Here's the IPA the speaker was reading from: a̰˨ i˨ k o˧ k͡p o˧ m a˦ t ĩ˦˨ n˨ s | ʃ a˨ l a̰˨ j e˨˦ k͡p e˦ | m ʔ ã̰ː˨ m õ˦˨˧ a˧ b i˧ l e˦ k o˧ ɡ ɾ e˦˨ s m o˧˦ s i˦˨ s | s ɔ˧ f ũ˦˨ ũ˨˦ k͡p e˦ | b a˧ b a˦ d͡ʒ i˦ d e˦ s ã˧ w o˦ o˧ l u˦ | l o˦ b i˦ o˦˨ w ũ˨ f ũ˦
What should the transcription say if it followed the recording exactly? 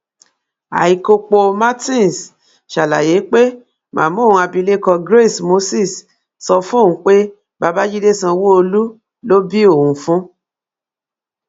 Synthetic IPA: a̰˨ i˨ k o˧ k͡p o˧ m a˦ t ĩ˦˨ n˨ s | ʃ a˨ l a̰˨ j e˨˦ k͡p e˦ | m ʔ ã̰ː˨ m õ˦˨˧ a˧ b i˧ l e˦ k ɔ˧ ɡ ɾ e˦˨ s m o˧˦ s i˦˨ s | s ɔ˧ f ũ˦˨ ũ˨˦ k͡p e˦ | b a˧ b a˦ d͡ʒ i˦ d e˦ s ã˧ w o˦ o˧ l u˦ | l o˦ b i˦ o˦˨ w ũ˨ f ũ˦